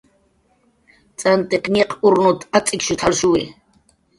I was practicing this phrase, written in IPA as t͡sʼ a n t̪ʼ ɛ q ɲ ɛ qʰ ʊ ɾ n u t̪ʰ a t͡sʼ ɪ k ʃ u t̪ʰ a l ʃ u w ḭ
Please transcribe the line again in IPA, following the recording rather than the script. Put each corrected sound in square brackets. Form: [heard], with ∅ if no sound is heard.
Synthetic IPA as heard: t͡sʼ a n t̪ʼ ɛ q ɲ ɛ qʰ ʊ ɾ n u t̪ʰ a t͡sʼ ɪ k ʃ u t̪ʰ a l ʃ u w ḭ